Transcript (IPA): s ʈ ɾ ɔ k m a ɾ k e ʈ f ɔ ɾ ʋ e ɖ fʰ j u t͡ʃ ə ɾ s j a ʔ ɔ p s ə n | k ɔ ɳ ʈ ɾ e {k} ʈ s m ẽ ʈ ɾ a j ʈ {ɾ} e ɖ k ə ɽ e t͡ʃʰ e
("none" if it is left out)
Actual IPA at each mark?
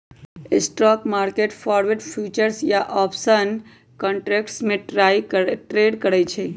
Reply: k, ɾ

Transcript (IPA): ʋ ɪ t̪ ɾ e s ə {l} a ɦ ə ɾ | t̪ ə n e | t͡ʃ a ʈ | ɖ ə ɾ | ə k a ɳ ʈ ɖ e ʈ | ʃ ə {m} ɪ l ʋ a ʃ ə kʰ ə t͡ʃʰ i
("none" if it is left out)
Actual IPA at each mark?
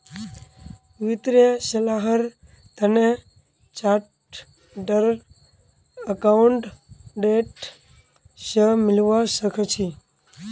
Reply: l, m

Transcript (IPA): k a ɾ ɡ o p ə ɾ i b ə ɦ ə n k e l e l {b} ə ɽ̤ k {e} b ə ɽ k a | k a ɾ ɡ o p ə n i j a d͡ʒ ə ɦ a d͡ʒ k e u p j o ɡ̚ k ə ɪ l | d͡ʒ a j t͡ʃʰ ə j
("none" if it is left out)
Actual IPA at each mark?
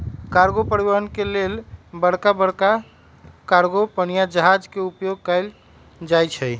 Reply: b, a

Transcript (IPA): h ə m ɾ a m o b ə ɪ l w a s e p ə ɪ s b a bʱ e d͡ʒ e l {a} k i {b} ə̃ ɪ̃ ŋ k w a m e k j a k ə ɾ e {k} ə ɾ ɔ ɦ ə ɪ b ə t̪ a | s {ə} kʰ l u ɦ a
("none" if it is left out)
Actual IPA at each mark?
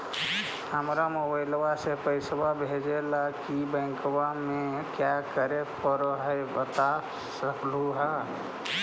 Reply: a, b, p, ə

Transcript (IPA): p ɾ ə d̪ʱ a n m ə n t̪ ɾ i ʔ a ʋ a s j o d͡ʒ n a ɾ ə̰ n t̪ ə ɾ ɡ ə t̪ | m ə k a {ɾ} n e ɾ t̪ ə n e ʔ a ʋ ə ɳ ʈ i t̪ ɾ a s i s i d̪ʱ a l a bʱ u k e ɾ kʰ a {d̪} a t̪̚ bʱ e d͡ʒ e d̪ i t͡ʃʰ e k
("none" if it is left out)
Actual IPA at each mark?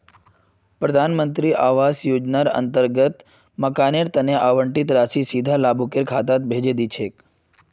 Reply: none, t̪

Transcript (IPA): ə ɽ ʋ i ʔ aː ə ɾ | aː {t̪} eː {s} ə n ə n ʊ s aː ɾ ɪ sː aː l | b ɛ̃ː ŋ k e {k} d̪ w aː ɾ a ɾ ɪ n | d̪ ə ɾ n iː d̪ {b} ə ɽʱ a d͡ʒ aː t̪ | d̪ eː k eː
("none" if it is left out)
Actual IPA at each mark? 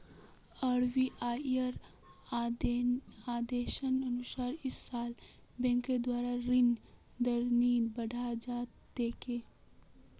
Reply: d̪, ʃ, none, b

